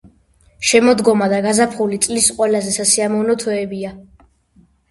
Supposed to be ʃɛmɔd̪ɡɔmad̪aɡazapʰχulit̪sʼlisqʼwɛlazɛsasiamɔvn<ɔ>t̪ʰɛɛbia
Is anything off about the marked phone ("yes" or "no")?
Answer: no